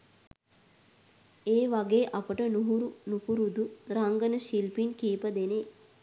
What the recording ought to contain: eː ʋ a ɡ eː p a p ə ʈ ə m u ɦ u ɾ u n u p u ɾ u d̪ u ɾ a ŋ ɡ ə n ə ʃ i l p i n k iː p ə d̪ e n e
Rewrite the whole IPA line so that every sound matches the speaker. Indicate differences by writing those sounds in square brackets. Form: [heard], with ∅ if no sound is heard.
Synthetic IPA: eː ʋ a ɡ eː [ʔ] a p ə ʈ ə [n] u ɦ u ɾ u n u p u ɾ u d̪ u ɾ a ŋ ɡ ə n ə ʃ i l p i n k iː p ə d̪ e n e